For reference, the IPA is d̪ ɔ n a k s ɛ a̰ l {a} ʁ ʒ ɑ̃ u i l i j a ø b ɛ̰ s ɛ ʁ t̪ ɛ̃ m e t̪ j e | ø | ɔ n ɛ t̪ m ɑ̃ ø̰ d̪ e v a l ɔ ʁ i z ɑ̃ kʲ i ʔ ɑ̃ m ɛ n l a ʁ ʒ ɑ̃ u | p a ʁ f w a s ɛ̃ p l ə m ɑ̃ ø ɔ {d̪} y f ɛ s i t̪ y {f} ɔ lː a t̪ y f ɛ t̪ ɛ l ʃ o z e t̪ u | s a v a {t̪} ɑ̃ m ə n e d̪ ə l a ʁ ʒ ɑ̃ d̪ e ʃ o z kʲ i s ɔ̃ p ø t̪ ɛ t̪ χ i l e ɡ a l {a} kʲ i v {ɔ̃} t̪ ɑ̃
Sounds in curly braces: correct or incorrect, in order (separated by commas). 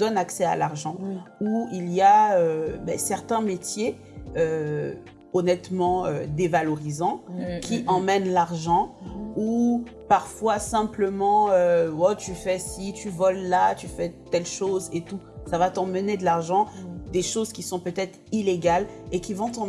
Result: correct, incorrect, incorrect, correct, incorrect, correct